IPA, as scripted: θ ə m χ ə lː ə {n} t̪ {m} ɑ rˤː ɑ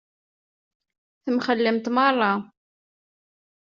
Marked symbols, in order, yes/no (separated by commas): no, yes